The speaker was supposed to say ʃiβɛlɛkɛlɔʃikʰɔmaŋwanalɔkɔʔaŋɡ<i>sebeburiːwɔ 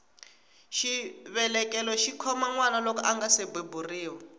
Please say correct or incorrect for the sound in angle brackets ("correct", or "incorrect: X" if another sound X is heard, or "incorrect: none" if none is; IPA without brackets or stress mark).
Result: incorrect: a